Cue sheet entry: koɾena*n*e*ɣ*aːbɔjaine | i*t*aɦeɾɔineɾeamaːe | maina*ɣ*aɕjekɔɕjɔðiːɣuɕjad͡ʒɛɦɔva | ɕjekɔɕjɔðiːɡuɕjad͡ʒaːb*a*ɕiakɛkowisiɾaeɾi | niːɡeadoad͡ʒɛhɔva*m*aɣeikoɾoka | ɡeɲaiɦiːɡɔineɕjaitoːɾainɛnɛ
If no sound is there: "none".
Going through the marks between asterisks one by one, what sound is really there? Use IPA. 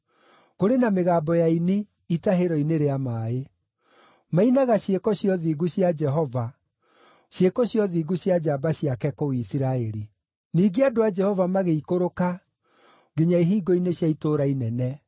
m, ɣ, t, ɣ, a, m

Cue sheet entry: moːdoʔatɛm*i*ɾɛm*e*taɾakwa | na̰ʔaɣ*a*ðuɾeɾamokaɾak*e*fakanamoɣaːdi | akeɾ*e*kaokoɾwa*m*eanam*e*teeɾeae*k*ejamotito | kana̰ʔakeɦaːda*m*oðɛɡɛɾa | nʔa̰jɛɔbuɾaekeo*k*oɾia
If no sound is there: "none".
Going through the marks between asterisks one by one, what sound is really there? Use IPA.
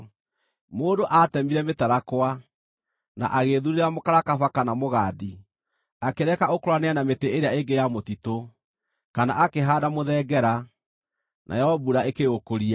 i, e, e, a, ɛ, n, e, ɡ, m, k

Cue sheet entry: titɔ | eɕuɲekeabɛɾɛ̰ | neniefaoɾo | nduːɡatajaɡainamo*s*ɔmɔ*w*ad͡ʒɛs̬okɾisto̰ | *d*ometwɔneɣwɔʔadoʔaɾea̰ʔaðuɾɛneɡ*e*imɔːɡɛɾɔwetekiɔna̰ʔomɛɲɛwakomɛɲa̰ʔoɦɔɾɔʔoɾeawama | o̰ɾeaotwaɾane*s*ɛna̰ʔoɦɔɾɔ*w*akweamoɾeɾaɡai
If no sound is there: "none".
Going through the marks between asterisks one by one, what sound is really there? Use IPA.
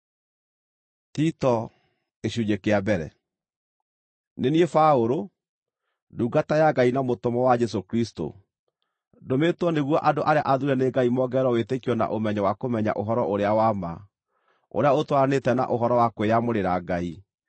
t, w, d, a, t, w

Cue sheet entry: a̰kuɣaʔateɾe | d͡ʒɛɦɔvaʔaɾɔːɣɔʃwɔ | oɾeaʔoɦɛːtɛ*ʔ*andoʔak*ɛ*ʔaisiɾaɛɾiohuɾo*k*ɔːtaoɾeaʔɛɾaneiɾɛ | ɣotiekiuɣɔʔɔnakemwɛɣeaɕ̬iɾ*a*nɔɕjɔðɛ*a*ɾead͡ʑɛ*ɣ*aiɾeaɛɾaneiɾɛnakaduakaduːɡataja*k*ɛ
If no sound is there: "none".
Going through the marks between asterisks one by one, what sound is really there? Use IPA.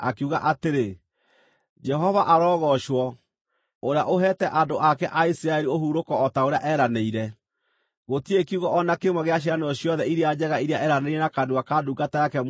ʔ, ɛ, k, a, i, ɣ, k

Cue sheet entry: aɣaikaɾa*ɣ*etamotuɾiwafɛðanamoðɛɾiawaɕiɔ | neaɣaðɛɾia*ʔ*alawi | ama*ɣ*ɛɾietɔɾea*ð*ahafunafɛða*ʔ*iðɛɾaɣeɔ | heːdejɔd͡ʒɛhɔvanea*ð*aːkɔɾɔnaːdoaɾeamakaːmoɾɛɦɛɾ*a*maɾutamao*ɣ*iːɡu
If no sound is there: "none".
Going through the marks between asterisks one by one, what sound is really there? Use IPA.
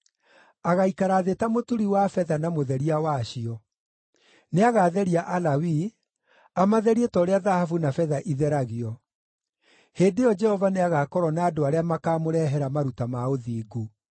ð, ʔ, ð, ð, ʔ, ɣ, a, ð

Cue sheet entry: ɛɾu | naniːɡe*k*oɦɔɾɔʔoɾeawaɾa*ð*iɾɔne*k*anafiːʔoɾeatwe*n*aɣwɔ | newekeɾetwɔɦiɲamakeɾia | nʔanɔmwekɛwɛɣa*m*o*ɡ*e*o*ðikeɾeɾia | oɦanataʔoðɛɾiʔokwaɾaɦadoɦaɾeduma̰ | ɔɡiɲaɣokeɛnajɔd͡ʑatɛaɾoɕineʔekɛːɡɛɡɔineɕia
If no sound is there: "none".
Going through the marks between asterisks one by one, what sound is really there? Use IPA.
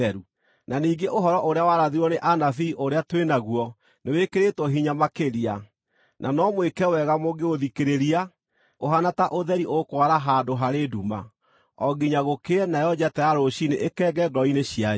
ʔ, ð, ʔ, n, m, ɡ, o

